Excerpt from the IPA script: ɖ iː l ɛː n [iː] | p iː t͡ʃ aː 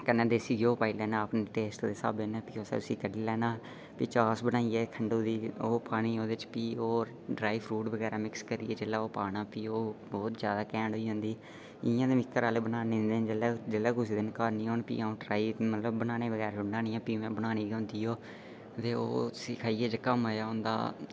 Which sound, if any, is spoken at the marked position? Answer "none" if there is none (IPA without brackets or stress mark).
aː